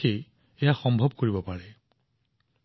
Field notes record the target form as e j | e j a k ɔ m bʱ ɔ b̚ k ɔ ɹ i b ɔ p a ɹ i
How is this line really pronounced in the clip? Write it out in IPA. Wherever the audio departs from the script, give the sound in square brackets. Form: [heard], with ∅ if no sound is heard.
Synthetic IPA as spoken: e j | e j a [x] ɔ m bʱ ɔ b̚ k [o] ɹ i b ɔ p a ɹ [ɛ]